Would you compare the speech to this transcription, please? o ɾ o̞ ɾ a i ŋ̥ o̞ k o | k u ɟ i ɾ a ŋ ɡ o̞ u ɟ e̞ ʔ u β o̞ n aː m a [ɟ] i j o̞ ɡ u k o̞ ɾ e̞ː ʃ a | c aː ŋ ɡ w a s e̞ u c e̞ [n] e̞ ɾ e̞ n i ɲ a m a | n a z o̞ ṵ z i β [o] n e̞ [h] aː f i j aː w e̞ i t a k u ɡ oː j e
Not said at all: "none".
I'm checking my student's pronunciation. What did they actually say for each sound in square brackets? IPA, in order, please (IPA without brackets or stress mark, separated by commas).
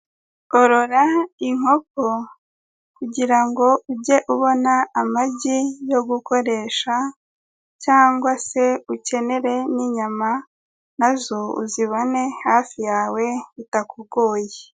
ɟ, n, o, h